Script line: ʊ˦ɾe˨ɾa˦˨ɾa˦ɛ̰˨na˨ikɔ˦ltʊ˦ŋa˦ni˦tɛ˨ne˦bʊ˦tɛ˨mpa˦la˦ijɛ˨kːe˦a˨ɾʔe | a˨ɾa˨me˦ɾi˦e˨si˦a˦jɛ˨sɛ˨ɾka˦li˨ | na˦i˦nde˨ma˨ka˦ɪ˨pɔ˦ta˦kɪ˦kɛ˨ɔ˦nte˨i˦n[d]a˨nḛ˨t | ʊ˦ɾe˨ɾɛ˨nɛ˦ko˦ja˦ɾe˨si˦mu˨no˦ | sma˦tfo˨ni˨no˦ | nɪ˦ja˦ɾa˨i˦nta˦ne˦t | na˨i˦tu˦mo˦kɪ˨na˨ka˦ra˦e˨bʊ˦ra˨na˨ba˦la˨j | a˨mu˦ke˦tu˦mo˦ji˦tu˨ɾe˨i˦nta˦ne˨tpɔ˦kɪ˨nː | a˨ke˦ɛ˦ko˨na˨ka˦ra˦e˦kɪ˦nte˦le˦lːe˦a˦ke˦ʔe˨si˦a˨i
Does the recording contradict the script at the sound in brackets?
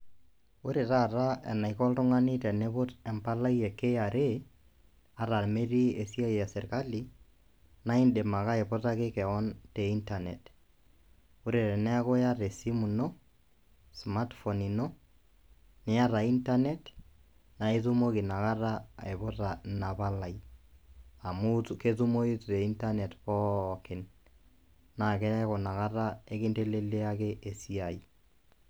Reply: yes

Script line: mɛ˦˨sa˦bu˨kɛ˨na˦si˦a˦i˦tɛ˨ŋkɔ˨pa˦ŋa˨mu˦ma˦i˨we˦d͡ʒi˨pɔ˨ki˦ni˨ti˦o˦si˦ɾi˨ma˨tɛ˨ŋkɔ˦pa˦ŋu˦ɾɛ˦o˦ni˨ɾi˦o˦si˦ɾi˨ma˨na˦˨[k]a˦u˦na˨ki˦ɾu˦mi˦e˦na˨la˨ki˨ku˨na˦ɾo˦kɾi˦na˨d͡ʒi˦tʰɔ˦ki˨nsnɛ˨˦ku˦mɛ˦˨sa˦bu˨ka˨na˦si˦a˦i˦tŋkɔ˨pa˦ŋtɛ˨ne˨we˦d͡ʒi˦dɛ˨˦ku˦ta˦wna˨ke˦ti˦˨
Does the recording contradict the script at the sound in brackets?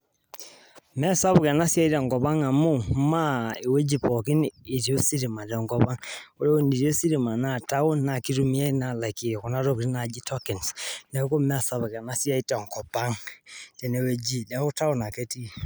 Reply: yes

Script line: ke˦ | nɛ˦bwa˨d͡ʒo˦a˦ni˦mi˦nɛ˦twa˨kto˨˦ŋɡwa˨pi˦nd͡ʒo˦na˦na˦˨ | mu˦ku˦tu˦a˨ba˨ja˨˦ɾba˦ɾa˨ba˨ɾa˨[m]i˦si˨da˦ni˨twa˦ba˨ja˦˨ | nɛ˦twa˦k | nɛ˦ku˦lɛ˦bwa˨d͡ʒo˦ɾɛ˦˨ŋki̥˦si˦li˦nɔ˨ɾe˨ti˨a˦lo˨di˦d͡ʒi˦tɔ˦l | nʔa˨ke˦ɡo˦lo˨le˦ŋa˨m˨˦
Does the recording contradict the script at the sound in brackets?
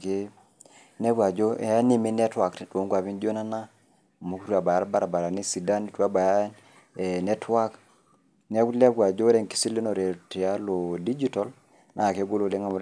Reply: yes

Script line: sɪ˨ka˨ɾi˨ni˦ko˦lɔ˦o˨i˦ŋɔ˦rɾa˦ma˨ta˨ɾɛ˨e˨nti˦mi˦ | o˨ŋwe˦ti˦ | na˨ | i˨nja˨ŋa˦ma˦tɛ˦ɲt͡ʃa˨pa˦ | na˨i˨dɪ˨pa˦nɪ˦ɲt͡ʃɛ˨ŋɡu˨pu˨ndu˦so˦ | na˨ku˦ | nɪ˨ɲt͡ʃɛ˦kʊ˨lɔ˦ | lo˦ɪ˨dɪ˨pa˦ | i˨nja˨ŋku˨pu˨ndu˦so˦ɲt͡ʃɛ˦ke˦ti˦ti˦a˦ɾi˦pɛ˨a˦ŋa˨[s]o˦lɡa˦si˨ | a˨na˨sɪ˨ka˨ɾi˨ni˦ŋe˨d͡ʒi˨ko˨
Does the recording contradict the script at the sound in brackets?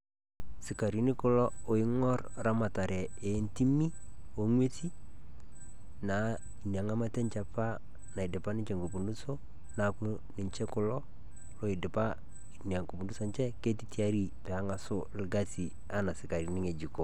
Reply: no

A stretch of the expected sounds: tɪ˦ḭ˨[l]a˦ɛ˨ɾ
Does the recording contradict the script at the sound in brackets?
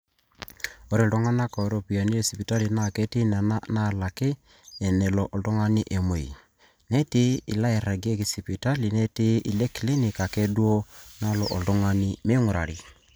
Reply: no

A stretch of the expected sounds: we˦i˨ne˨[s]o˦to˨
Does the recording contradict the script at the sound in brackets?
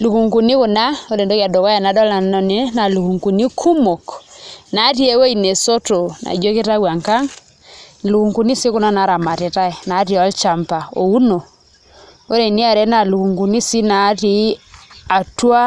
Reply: no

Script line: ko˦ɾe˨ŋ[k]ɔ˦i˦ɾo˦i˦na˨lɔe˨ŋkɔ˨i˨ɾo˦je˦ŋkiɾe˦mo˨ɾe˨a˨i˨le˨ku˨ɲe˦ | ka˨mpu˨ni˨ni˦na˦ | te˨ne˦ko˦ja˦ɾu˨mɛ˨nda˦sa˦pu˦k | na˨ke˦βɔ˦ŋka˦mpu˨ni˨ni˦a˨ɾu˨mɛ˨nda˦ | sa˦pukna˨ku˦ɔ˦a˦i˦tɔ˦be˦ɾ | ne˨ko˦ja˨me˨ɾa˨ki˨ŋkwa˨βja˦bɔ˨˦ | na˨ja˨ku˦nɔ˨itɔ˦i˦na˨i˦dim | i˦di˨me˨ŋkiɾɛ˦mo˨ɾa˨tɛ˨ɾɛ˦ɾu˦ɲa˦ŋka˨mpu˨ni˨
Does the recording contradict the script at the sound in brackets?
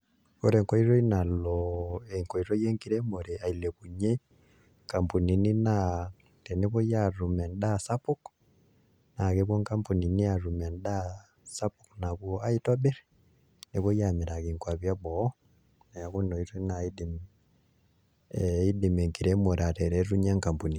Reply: no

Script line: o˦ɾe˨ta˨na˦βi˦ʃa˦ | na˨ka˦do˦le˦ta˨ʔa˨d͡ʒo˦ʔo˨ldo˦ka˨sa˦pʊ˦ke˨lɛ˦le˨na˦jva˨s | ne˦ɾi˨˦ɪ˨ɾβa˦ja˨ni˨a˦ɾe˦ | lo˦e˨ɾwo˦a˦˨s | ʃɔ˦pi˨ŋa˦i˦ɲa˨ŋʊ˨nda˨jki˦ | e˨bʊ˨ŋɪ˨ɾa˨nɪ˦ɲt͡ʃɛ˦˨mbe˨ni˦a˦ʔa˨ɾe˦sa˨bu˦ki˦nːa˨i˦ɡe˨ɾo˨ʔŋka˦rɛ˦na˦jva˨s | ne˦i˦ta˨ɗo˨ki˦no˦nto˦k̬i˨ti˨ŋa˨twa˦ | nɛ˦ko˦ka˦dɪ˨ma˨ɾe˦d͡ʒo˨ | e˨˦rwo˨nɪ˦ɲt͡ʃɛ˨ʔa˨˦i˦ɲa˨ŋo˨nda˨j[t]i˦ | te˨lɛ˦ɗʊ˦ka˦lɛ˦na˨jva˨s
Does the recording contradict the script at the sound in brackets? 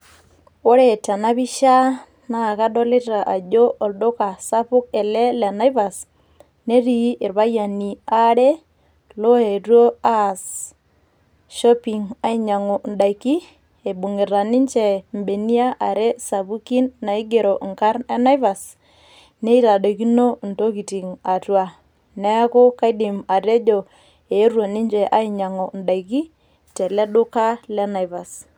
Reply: yes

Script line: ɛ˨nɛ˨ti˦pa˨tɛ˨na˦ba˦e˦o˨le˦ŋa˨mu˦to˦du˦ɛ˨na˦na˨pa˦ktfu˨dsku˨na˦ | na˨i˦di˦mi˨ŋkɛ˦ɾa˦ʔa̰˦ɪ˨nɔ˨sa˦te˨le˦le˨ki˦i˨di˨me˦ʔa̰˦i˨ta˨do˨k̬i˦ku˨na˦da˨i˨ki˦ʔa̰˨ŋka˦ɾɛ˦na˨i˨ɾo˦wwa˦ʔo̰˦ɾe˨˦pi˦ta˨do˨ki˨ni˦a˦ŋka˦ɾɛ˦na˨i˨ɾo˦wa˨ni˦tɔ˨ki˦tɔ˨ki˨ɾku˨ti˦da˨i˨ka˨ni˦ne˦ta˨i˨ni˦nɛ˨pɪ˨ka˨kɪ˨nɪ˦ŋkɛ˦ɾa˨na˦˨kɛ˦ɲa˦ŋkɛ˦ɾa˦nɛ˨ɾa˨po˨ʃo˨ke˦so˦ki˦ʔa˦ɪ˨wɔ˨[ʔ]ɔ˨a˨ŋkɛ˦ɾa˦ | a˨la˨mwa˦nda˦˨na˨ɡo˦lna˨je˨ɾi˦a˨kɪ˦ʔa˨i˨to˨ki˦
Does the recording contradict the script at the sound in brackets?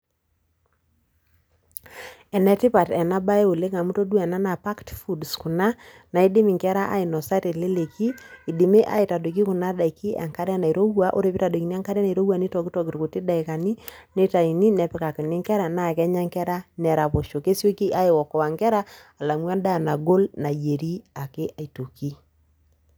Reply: yes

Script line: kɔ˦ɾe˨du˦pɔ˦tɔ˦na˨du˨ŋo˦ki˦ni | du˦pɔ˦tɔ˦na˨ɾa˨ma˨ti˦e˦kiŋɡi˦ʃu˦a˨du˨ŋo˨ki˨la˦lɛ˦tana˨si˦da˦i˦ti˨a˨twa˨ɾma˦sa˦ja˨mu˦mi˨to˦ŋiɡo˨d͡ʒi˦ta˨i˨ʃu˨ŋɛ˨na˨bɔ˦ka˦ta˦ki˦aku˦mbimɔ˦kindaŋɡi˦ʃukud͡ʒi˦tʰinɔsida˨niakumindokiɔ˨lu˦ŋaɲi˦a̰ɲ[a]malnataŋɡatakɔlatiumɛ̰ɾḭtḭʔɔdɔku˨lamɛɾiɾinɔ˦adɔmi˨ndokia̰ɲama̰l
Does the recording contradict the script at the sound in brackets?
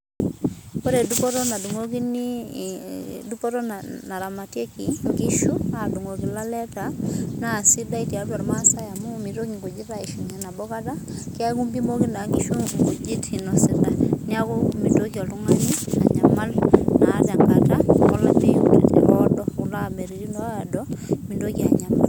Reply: no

